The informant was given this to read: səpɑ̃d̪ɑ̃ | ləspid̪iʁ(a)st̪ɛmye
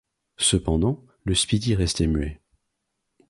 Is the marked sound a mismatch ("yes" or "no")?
yes